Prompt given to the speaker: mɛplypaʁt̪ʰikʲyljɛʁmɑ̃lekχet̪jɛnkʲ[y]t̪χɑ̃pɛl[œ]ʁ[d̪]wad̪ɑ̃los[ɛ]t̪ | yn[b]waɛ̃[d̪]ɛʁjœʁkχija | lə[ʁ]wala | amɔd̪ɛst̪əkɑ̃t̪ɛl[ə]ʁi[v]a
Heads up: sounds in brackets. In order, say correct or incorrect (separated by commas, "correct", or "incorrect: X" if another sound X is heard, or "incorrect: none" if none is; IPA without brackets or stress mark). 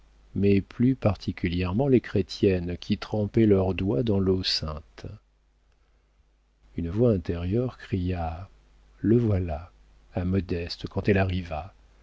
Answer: incorrect: i, correct, correct, incorrect: ɛ̃, incorrect: v, incorrect: t̪, incorrect: v, incorrect: a, correct